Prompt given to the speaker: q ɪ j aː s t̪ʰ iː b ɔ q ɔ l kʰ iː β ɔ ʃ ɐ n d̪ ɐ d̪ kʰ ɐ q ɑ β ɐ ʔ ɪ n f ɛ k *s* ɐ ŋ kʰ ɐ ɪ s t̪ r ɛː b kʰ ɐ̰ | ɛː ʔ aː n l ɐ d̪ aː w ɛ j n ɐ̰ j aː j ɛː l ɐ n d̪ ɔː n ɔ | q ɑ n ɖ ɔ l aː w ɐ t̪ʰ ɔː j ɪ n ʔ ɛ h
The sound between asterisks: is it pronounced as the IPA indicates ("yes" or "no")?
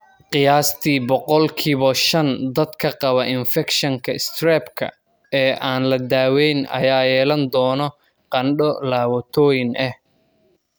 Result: no